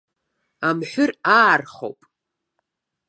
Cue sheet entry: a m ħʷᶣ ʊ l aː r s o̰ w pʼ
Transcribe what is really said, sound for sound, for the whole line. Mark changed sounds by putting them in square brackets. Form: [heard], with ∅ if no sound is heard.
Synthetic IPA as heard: a m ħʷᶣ ʊ [r] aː r [χ] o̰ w pʼ

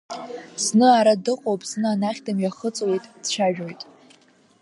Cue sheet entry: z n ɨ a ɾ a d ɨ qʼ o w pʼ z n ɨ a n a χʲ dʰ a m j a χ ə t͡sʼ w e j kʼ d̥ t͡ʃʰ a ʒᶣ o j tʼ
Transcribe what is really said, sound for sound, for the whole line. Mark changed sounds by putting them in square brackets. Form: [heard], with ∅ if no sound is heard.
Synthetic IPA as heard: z n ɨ a ɾ a d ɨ qʼ o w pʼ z n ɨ a n a χʲ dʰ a m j a χ ə t͡sʼ w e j [tʼ] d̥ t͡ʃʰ a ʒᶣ o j tʼ

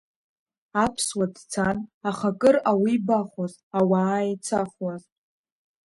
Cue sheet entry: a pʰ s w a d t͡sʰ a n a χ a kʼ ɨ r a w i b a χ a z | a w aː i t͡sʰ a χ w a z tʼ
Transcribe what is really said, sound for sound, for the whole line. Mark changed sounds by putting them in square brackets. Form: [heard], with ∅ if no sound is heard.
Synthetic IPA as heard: a pʰ s w a d t͡sʰ a n a χ a kʼ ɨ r a w i b a χ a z | a w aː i t͡sʰ a χ w a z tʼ

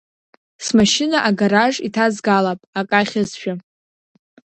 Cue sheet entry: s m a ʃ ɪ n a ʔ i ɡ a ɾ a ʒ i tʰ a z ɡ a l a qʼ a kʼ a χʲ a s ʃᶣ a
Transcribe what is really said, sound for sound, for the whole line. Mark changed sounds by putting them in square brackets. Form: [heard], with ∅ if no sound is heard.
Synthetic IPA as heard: s m a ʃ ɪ n a ʔ [a] ɡ a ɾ a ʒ i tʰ a z ɡ a l a [pʼ] a kʼ a χʲ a [z] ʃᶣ a

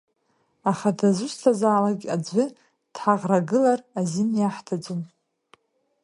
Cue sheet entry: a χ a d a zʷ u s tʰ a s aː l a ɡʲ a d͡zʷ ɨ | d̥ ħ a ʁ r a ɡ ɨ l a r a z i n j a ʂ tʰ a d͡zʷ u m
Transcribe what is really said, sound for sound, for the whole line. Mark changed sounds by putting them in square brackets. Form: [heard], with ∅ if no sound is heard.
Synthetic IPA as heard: a χ a d a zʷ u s tʰ a [z] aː l a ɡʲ a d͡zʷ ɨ | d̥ ħ a ʁ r a ɡ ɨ l a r a z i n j a [ħ] tʰ a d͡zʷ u m

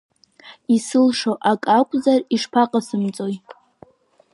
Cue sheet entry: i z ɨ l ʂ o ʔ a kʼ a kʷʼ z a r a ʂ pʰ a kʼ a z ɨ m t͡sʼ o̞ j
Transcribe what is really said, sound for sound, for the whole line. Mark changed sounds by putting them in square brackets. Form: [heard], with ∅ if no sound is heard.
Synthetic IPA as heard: i [s] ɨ l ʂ o ʔ a kʼ a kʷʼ z a r [i] ʂ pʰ a [qʼ] a [s] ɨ m t͡sʼ o̞ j

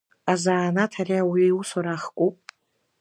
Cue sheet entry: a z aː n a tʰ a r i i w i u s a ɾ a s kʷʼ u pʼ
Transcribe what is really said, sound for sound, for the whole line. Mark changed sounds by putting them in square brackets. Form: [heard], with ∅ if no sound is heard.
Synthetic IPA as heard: a z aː n a tʰ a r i [a] w i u s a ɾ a [χ] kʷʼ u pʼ

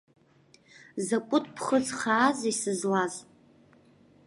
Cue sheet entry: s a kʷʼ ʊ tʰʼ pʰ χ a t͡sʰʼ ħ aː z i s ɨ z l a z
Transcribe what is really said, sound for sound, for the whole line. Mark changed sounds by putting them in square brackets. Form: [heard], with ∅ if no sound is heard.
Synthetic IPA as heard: [z] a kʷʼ ʊ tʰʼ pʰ χ [ə] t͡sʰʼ [χ] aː z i s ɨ z l a z

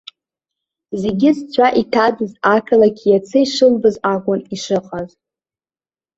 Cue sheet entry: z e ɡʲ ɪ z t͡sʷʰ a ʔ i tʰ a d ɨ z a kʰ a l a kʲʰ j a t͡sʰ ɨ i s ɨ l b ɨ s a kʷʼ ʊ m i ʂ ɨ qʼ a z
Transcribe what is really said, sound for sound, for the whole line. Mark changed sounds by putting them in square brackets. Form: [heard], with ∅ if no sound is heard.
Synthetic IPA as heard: z e ɡʲ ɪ z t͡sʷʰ a ʔ i tʰ a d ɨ z a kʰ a l a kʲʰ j a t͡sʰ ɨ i [ʂ] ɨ l b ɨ [z] a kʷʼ ʊ [n] i ʂ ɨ qʼ a z

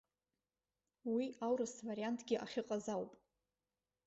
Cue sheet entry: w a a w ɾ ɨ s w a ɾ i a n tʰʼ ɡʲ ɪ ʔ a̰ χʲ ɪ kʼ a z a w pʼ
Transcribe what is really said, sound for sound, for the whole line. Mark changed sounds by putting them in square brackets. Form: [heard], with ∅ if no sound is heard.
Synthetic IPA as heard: w [i] a w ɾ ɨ s [v] a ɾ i a n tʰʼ ɡʲ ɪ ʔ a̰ χʲ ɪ [qʼ] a z a w pʼ

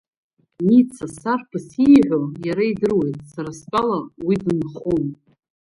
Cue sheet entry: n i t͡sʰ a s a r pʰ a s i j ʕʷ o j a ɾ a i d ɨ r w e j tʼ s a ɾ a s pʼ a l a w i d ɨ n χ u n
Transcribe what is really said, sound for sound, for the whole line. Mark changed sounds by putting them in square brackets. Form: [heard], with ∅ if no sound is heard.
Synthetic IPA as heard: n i t͡sʰ a s a r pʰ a s i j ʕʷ o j a ɾ a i d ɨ r w e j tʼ s a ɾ a s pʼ a l a w i d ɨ n χ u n

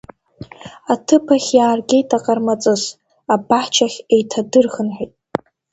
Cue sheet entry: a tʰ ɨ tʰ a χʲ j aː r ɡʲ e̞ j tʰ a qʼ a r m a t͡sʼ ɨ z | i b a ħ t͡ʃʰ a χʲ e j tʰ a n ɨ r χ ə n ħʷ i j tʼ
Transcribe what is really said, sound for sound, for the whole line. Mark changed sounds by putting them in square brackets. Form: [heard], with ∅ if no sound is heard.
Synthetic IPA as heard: a tʰ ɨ [pʰ] a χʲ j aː r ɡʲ e̞ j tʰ a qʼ a r m a t͡sʼ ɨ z | [a] b a ħ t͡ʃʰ a χʲ e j tʰ a [d] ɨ r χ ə n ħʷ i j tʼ

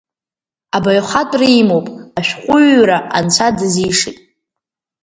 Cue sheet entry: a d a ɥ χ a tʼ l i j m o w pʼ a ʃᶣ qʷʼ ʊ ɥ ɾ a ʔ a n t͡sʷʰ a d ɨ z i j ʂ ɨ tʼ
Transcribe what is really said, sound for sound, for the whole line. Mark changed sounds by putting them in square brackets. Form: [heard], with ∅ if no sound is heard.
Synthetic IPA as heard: a [b] a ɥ χ a tʼ [r] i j m o w pʼ a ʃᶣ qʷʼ ʊ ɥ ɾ a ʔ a n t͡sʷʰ a d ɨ z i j ʂ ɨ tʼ

